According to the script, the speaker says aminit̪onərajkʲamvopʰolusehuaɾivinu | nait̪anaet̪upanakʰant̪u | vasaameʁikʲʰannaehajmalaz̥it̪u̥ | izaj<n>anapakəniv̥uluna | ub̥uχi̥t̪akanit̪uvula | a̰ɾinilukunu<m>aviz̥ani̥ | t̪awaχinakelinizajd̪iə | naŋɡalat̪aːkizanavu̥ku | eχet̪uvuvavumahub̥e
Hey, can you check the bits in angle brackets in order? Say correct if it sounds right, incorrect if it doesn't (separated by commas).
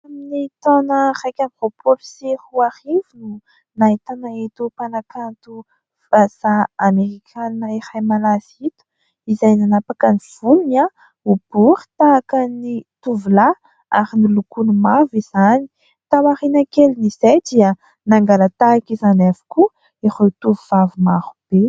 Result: correct, correct